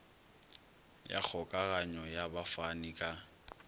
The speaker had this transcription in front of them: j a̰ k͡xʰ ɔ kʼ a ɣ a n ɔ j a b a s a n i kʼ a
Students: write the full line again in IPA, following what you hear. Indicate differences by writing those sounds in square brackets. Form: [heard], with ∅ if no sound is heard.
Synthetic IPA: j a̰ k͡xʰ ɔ kʼ a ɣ a [ɲ] ɔ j a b a [f] a n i kʼ a